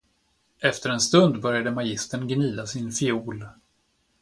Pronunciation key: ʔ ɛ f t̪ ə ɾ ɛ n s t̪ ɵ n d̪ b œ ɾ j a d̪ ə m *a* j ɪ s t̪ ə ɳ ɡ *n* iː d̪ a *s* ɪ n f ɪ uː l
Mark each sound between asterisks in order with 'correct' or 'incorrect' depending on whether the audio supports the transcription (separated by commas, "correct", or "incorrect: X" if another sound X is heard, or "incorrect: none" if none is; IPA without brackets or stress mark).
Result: correct, correct, correct